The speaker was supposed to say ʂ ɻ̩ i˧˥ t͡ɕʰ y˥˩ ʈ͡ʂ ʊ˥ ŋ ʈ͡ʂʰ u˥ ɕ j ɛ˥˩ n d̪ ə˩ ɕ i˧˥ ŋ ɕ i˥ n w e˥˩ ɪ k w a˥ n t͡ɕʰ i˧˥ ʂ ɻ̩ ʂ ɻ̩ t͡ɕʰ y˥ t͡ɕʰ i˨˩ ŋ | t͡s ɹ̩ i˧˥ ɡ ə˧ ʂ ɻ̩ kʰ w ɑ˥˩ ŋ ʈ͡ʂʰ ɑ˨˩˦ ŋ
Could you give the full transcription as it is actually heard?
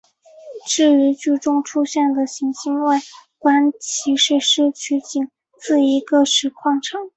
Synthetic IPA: ʈ͡ʂ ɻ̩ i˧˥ t͡ɕ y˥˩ ʈ͡ʂ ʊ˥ ŋ ʈ͡ʂʰ u˥ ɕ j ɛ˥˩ n d̪ ə˩ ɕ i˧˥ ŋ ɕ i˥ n w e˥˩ ɪ k w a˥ n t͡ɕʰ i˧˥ ʂ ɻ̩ ʂ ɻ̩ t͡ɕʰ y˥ t͡ɕ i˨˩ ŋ | t͡s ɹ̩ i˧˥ ɡ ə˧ ʂ ɻ̩ kʰ w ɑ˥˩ ŋ ʈ͡ʂʰ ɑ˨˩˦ ŋ